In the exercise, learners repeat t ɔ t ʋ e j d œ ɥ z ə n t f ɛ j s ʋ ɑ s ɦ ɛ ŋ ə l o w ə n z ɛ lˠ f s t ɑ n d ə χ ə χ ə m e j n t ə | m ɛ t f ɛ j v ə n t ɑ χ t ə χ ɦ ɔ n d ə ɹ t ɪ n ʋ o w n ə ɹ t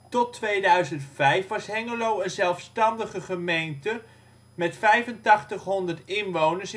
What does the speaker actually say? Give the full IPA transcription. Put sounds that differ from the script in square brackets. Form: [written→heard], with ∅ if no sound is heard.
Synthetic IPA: t ɔ t ʋ e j d œ ɥ z ə n t f ɛ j [s→f] ʋ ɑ s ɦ ɛ ŋ ə l o w ə n z ɛ lˠ f s t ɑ n d ə χ ə χ ə m e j n t ə | m ɛ t f ɛ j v ə n t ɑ χ t ə χ ɦ ɔ n d ə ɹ t ɪ n ʋ o w n ə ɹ [t→s]

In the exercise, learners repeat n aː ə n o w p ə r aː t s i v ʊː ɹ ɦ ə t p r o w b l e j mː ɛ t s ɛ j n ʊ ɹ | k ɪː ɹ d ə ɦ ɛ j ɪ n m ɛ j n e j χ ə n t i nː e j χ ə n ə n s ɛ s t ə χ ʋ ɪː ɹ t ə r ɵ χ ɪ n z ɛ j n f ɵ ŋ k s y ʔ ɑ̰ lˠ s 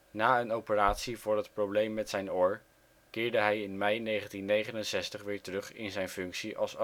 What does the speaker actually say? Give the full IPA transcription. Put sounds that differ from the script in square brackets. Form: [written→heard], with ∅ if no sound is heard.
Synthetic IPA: n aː ə n o w p ə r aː t s i v ʊː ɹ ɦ ə t p r o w b l e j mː ɛ t s ɛ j n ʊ ɹ | k ɪː ɹ d ə ɦ ɛ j ɪ n m ɛ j n e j χ ə n t i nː e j χ ə n ə n s ɛ s t ə χ ʋ ɪː ɹ t ə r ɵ χ ɪ n z ɛ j n f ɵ ŋ k s [y→i] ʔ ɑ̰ lˠ s

